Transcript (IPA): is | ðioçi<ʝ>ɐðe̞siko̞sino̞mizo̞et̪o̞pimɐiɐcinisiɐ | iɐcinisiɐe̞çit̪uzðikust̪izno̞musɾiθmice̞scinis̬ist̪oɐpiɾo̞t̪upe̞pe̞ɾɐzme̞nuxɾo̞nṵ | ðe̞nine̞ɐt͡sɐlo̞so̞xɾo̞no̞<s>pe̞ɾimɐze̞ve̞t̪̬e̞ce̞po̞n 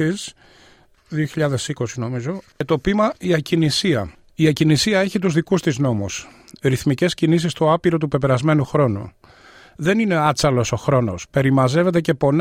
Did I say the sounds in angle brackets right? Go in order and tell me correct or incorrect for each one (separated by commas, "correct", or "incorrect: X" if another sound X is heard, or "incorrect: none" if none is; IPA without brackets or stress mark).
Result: incorrect: ʎ, correct